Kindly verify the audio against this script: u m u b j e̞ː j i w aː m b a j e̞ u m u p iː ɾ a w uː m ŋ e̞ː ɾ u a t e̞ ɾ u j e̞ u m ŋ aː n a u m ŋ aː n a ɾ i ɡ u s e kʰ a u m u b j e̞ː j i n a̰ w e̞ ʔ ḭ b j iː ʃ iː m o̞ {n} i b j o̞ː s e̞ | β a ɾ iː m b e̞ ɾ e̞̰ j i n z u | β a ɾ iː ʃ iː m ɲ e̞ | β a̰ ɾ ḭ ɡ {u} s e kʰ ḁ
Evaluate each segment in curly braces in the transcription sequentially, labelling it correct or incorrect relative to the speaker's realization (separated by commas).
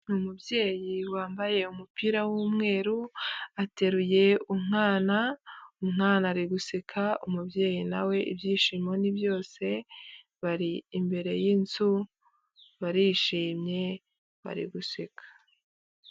correct, correct